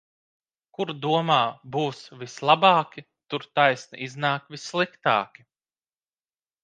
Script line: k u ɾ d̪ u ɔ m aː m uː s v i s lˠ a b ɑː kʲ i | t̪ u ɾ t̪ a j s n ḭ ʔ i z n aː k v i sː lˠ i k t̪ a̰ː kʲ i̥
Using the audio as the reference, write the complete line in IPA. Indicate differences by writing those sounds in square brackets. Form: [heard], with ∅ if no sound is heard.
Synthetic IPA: k u ɾ d̪ u ɔ m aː [b] uː s v i s lˠ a b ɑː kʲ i | t̪ u ɾ t̪ a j s n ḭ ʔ i z n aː k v i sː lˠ i k t̪ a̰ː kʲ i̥

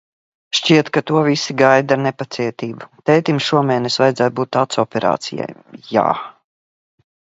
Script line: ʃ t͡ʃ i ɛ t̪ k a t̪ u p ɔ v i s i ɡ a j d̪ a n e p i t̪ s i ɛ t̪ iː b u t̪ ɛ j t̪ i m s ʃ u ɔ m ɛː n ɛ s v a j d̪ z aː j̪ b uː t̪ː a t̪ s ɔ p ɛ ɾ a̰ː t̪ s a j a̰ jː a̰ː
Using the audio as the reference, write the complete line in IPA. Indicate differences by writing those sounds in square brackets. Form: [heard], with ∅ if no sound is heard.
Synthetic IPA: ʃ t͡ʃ i ɛ t̪ k a t̪ u [∅] ɔ v i s i ɡ a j d̪ a n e p [a] t̪ s i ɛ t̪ iː b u t̪ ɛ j t̪ i m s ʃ u ɔ m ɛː n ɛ s v a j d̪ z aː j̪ b uː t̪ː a t̪ s ɔ p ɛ ɾ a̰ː t̪ s [i] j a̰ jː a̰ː

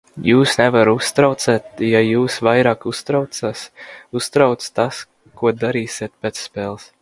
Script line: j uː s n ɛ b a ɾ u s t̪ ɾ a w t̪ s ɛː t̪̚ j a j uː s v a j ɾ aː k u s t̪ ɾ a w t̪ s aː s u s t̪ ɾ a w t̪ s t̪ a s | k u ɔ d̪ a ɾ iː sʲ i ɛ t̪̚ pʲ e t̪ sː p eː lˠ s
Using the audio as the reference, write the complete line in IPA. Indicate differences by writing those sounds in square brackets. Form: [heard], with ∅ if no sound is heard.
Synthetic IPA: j uː s n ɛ [v] a ɾ u s t̪ ɾ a w t̪ s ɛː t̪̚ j a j uː s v a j ɾ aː k u s t̪ ɾ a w t̪ s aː s u s t̪ ɾ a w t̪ s t̪ a s | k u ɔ d̪ a ɾ iː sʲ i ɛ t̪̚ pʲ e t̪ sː p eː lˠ s

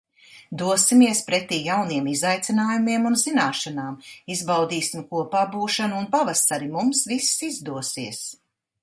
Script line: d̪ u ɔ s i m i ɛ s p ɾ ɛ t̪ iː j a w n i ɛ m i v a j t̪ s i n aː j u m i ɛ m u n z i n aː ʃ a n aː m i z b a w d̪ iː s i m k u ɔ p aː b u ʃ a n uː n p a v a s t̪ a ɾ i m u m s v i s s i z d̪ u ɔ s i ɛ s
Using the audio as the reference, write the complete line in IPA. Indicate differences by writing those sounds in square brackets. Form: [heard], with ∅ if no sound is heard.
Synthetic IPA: d̪ u ɔ s i m i ɛ s p ɾ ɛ t̪ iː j a w n i ɛ m i [z] a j t̪ s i n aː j u m i ɛ m u n z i n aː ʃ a n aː m i z b a w d̪ iː s i m k u ɔ p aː b [uː] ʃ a n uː n p a v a s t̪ a ɾ i m u m s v i s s i z d̪ u ɔ s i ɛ s

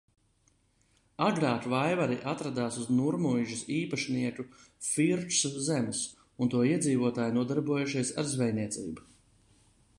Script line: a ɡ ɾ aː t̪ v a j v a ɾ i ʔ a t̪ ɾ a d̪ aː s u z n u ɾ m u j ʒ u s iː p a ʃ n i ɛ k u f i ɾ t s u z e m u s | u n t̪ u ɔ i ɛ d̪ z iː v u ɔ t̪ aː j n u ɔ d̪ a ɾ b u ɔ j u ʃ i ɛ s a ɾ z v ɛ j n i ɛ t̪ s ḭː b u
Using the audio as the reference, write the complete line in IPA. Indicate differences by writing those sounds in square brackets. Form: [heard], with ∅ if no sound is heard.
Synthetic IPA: a ɡ ɾ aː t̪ v a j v a ɾ i ʔ a t̪ ɾ a d̪ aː s u z n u ɾ m u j ʒ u s iː p a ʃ n i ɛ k u f i ɾ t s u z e m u s | u n t̪ u ɔ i ɛ d̪ z iː v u ɔ t̪ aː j n u ɔ d̪ a ɾ b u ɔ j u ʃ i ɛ s a ɾ z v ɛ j n i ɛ t̪ s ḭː b u

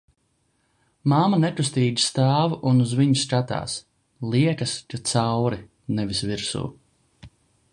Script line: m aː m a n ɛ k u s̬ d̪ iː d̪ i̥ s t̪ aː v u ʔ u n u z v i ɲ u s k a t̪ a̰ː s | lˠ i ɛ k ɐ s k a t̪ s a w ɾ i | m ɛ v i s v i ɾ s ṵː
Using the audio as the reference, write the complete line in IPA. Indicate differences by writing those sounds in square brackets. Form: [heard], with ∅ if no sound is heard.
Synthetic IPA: m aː m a n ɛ k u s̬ [t̪] iː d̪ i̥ s t̪ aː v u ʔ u n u z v i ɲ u s k a t̪ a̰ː s | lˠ i ɛ k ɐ s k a t̪ s a w ɾ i | [n] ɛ v i s v i ɾ s ṵː

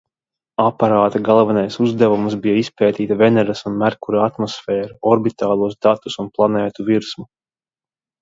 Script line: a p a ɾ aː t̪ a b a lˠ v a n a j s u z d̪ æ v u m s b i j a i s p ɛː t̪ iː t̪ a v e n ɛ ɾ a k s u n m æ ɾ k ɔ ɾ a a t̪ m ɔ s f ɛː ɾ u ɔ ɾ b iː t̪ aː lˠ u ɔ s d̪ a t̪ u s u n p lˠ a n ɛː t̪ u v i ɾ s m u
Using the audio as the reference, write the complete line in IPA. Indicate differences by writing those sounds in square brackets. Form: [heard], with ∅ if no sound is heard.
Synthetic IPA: a p a ɾ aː t̪ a [ɡ] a lˠ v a n a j s u z d̪ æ v u m s b i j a i s p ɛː t̪ iː t̪ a v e n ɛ ɾ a [∅] s u n m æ ɾ k [u] ɾ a a t̪ m ɔ s f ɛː ɾ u ɔ ɾ b [i] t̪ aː lˠ u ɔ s d̪ a t̪ u s u n p lˠ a n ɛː t̪ u v i ɾ s m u

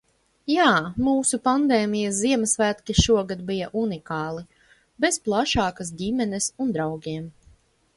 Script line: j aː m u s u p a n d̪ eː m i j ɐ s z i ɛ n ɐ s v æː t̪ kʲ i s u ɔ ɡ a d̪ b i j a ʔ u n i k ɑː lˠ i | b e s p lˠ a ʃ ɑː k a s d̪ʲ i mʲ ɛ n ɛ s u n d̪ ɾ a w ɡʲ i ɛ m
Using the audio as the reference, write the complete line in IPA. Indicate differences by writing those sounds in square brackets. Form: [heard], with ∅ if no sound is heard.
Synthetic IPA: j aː m [uː] s u p a n d̪ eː m i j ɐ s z i ɛ [m] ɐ s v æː t̪ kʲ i [ʃ] u ɔ ɡ a d̪ b i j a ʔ u n i k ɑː lˠ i | b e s p lˠ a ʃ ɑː k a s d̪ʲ i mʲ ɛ n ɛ s u n d̪ ɾ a w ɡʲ i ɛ m

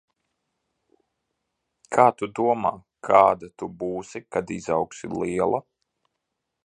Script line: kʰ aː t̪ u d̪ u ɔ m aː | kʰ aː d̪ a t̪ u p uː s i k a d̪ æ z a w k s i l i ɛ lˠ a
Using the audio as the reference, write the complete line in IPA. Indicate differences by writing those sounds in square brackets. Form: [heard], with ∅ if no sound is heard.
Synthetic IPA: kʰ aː t̪ u d̪ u ɔ m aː | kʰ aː d̪ a t̪ u [b] uː s i k a d̪ [i] z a w k s i l i ɛ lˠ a

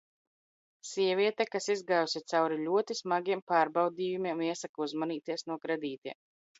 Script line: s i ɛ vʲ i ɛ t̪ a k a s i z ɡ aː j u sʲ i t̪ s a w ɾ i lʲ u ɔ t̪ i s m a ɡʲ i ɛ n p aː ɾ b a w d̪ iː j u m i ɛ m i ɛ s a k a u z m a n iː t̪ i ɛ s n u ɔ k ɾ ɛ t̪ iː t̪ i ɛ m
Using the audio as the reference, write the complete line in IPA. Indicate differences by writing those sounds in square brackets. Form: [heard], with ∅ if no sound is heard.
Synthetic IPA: s i ɛ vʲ i ɛ t̪ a k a s i z ɡ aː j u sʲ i t̪ s a w ɾ i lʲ u ɔ t̪ i s m a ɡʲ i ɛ [m] p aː ɾ b a w d̪ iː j u m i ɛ m i ɛ s a k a u z m a n iː t̪ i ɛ s n u ɔ k ɾ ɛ [d̪] iː t̪ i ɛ m

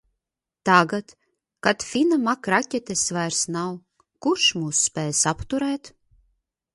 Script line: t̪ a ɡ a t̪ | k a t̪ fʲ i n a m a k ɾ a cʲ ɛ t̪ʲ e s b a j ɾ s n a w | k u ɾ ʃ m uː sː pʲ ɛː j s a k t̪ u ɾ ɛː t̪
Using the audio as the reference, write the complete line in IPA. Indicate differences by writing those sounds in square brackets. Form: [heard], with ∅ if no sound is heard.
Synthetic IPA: t̪ a ɡ a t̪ | k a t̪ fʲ i n a m a k ɾ a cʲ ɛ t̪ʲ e s [v] a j ɾ s n a w | k u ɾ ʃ m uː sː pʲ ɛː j s a [p] t̪ u ɾ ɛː t̪

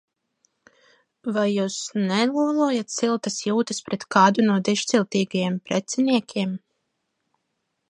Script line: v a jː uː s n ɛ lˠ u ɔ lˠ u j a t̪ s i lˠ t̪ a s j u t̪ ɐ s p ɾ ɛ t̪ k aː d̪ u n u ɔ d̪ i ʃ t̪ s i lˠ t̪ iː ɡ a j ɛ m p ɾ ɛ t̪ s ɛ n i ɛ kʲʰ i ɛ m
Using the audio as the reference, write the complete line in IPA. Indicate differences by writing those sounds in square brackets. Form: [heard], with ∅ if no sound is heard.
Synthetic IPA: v a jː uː s n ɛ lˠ u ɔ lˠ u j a t̪ s i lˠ t̪ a s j [uː] t̪ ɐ s p ɾ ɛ t̪ k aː d̪ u n u ɔ d̪ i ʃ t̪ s i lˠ t̪ iː ɡ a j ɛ m p ɾ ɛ t̪ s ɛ n i ɛ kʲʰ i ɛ m

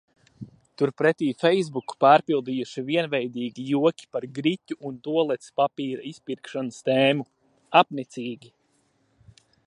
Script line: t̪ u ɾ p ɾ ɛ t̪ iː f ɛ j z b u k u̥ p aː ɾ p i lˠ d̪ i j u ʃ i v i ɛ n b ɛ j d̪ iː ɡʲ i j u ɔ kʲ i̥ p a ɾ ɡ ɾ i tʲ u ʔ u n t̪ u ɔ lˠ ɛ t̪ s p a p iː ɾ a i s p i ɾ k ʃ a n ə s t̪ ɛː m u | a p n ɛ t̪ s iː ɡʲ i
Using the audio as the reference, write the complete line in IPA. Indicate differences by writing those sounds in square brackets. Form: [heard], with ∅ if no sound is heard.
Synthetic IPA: t̪ u ɾ p ɾ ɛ t̪ iː f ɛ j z b u k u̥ p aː ɾ p i lˠ d̪ i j u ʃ i v i ɛ n [v] ɛ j d̪ iː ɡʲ i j u ɔ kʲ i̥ p a ɾ ɡ ɾ i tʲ u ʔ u n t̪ u ɔ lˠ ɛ t̪ s p a p iː ɾ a i s p i ɾ k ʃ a n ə s t̪ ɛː m u | a p n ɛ t̪ s iː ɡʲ i

